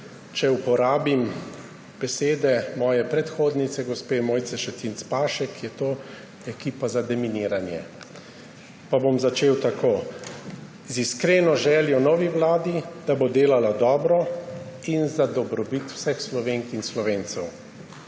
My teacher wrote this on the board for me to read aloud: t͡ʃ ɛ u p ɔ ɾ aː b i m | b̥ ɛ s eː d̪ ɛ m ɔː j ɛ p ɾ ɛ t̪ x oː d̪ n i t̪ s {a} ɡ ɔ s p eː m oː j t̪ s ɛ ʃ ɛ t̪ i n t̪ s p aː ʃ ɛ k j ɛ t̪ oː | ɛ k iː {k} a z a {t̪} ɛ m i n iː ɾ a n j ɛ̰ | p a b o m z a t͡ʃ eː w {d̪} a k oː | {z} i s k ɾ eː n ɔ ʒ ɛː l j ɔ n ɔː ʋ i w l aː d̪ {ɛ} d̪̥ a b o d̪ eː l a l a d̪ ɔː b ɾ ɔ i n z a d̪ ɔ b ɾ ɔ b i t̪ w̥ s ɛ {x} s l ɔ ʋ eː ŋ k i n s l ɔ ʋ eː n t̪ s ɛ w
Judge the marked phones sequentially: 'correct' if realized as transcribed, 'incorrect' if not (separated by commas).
incorrect, incorrect, incorrect, incorrect, correct, incorrect, correct